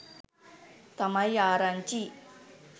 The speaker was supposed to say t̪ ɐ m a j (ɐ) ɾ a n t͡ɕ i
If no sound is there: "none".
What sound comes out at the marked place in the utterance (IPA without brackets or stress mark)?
a